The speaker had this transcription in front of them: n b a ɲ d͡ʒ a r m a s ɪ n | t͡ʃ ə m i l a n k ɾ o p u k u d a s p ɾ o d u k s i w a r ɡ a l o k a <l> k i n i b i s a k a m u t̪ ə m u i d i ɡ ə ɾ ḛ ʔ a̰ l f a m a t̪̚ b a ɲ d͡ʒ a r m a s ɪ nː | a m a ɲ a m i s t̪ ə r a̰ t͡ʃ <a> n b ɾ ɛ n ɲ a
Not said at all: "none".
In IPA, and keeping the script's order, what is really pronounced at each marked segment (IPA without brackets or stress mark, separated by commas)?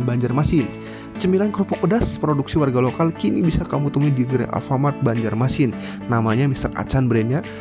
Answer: l, a